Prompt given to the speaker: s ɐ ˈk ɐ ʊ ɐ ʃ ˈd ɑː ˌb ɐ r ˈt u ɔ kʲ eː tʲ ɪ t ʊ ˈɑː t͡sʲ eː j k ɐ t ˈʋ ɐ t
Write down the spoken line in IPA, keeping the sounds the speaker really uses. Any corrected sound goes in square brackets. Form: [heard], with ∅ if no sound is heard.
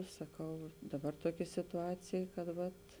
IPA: s ɐ ˈk ɐ ʊ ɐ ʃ ˈd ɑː ˌb ɐ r ˈt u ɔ kʲ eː [sʲ] ɪ t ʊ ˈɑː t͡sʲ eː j k ɐ t ˈʋ ɐ t